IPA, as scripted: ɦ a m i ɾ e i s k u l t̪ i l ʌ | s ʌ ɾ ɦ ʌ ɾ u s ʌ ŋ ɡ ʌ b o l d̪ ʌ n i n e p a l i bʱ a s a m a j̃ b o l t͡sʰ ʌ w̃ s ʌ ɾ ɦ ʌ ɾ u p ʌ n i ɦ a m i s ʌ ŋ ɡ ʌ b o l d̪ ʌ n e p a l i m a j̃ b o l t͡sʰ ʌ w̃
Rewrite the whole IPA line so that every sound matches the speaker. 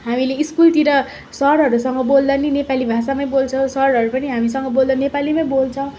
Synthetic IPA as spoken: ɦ a m i l e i s k u l t̪ i ɾ ʌ | s ʌ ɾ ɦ ʌ ɾ u s ʌ ŋ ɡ ʌ b o l d̪ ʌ n i n e p a l i bʱ a s a m a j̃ b o l t͡sʰ ʌ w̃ s ʌ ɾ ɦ ʌ ɾ u p ʌ n i ɦ a m i s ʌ ŋ ɡ ʌ b o l d̪ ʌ n e p a l i m a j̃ b o l t͡sʰ ʌ w̃